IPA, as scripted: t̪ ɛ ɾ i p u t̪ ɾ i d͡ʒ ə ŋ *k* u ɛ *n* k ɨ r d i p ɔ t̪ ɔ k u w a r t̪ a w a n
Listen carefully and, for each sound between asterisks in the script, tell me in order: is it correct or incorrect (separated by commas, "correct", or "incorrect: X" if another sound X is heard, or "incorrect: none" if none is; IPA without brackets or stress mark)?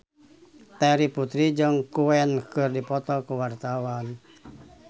correct, correct